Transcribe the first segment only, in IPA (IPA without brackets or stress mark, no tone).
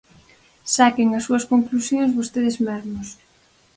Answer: s